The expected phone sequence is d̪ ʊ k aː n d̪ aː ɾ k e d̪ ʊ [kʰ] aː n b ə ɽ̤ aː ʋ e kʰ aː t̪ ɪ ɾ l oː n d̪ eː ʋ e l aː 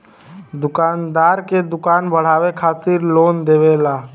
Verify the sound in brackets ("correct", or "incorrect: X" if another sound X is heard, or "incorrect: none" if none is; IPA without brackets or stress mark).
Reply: incorrect: k